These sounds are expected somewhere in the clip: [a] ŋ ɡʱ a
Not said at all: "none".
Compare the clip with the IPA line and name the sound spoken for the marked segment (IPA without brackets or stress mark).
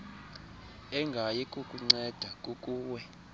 ɛ